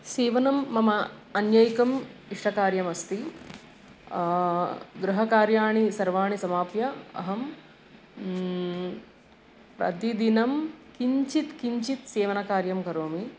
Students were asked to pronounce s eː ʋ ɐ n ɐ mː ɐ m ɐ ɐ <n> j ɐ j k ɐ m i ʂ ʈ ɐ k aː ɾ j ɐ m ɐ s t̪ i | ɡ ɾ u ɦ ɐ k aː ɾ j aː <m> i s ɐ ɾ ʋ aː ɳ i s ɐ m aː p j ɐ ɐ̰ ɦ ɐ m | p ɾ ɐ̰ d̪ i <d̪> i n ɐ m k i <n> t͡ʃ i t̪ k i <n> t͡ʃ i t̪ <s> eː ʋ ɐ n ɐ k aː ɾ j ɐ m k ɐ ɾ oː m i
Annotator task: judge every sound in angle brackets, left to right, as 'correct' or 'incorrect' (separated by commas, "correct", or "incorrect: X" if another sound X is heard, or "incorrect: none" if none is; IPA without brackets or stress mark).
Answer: correct, incorrect: ɳ, correct, incorrect: ɲ, incorrect: ɲ, correct